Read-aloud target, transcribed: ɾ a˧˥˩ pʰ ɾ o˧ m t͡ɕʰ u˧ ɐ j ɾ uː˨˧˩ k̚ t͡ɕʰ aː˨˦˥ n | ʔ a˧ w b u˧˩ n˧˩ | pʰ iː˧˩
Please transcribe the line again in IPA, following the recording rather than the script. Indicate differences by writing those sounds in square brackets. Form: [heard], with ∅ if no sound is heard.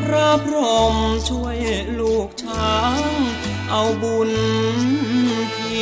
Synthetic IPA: ɾ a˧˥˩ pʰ ɾ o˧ m t͡ɕʰ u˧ [ə] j [l] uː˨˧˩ k̚ t͡ɕʰ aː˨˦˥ [ŋ] | ʔ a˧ w b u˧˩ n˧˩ | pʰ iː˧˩